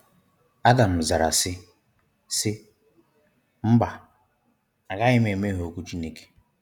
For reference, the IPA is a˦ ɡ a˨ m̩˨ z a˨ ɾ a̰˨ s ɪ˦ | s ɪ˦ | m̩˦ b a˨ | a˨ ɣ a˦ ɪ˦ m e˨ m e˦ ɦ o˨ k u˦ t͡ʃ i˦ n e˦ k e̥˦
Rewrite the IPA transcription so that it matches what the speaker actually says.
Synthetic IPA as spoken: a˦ d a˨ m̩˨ z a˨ ɾ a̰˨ s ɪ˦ | s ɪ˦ | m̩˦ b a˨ | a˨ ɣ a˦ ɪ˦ m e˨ m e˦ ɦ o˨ k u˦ t͡ʃ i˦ n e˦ k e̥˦